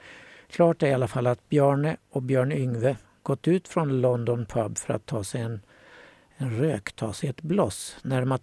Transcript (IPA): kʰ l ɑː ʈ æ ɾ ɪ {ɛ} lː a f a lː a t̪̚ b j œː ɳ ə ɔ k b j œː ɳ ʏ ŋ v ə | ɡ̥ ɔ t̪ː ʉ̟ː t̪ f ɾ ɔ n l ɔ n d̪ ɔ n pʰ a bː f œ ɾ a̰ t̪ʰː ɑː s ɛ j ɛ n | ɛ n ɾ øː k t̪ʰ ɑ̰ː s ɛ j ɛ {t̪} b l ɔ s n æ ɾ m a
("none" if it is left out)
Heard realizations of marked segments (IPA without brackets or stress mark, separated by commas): a, t̪